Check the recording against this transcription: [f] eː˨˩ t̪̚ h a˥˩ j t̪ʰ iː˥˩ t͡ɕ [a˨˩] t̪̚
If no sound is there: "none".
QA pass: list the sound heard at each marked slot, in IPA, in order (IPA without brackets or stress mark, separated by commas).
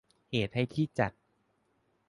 h, a˨˩